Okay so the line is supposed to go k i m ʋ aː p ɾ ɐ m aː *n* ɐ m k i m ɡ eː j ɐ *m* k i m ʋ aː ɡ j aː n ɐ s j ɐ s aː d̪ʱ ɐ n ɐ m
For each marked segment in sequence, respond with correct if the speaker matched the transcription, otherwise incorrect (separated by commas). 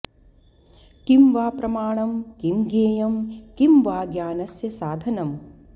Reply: incorrect, correct